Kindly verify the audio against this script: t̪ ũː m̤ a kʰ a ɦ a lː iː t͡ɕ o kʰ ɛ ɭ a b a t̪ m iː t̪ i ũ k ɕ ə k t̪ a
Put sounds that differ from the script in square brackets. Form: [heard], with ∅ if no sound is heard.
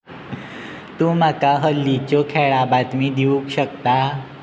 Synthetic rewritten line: t̪ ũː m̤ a [k] a ɦ [ə] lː [i] t͡ɕ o kʰ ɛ ɭ a b a t̪ m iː [d̪] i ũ k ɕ ə k t̪ a

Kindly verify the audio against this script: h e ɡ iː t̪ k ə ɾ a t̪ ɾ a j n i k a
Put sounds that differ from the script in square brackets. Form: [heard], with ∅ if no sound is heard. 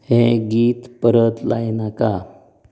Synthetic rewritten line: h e ɡ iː t̪ [p] ə ɾ [ə] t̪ [l] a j n [a] k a

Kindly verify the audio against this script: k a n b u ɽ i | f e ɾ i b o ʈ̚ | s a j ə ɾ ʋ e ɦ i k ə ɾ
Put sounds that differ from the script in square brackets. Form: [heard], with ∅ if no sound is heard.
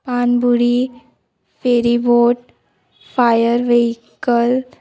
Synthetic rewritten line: [p] a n b u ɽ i | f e ɾ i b o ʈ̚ | [f] a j ə ɾ ʋ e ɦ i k ə [l]

